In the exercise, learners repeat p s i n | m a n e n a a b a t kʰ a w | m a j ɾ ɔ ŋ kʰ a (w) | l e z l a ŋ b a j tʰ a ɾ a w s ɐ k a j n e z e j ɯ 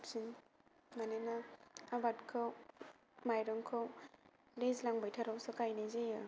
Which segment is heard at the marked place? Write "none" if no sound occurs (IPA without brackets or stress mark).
w